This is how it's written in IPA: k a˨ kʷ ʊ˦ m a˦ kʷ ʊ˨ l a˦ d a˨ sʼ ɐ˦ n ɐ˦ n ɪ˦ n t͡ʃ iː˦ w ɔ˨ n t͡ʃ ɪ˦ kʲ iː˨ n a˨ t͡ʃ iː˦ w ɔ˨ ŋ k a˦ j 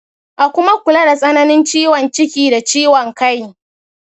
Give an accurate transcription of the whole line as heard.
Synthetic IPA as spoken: ʔ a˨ kʷ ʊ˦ m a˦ kʷ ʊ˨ l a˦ d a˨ sʼ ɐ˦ n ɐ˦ n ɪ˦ n t͡ʃ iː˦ w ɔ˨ n t͡ʃ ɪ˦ kʲ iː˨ d a˨ t͡ʃ iː˦ w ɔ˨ ŋ k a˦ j